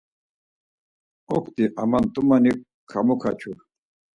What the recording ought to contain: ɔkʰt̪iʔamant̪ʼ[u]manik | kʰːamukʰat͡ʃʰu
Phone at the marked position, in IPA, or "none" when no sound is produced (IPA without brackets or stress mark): u